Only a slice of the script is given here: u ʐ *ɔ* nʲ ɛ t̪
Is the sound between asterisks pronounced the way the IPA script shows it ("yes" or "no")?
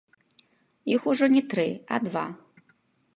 yes